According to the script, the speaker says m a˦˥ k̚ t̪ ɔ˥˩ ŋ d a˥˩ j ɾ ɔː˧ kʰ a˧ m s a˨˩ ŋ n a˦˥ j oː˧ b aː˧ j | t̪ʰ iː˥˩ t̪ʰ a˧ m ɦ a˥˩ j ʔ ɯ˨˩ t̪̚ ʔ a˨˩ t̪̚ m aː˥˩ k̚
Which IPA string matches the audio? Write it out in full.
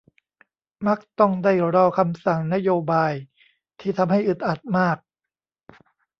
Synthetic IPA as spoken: m a˦˥ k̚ t̪ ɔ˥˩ ŋ d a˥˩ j ɾ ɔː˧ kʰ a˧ m s a˨˩ ŋ n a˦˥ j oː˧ b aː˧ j | t̪ʰ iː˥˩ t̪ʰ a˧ m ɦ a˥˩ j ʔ ɯ˨˩ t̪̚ ʔ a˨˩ t̪̚ m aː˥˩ k̚